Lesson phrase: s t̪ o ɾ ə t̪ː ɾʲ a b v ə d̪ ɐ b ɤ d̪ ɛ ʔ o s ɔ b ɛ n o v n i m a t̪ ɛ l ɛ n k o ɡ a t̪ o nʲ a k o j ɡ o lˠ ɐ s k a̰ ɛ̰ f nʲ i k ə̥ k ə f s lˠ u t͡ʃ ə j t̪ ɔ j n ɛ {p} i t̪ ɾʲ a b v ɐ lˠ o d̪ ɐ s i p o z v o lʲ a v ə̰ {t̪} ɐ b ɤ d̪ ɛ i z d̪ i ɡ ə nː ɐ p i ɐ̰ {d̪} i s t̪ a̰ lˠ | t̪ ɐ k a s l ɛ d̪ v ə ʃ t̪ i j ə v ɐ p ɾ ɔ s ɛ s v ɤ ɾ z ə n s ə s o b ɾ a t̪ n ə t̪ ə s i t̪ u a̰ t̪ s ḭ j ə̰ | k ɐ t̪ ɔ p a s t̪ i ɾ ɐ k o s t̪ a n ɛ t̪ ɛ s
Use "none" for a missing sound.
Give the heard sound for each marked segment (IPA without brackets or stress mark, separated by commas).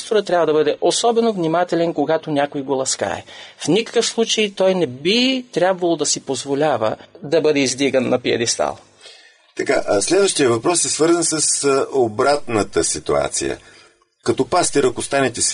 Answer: b, d̪, d̪